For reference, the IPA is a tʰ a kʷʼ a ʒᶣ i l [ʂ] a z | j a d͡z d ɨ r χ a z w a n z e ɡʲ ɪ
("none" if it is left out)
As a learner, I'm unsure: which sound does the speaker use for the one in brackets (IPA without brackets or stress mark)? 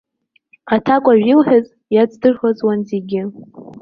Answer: ħ